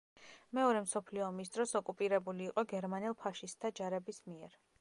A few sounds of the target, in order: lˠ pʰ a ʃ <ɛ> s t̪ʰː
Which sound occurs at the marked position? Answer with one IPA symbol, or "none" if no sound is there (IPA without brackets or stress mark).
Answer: i